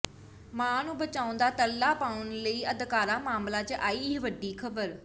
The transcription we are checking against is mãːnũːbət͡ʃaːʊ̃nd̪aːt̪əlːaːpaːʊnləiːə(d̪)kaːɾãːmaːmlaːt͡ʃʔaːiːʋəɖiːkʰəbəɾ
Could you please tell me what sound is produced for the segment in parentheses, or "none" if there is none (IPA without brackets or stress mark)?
d̪